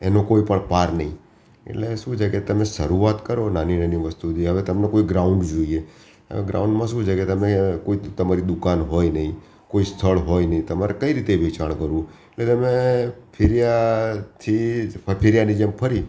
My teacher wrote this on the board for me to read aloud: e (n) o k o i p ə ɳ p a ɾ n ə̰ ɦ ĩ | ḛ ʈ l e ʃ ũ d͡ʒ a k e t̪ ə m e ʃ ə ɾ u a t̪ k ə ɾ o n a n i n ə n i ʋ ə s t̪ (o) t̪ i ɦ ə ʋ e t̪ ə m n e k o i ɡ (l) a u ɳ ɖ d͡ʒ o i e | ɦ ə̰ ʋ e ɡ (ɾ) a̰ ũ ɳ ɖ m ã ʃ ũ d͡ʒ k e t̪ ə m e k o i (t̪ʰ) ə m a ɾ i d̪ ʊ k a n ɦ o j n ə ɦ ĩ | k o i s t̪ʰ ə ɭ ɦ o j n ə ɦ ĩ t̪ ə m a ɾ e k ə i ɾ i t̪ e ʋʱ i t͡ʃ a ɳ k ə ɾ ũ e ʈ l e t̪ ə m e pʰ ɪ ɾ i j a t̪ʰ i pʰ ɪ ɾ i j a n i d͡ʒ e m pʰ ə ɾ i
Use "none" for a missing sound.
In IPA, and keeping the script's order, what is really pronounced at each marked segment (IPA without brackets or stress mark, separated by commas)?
n, u, ɾ, ɾ, t̪